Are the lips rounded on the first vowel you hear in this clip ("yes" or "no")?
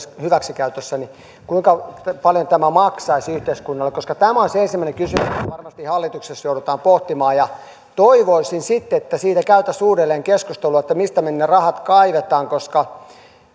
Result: yes